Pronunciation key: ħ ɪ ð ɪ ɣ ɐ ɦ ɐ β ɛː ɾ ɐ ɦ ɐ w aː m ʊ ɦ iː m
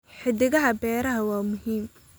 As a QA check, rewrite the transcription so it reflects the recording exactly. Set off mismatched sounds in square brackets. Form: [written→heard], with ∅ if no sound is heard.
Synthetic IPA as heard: ħ ɪ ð ɪ ɣ ɐ ɦ ɐ [β→b] ɛː ɾ ɐ ɦ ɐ w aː m ʊ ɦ iː m